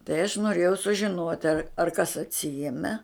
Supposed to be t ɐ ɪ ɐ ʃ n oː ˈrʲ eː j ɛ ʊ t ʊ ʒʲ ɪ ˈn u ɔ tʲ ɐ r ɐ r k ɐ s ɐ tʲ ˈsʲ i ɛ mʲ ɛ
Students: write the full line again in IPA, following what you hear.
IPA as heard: t ɐ ɪ ɐ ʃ n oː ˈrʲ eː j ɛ ʊ s ʊ ʒʲ ɪ ˈn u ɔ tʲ ɐ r ɐ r k ɐ s ɐ tʲ ˈsʲ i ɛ mʲ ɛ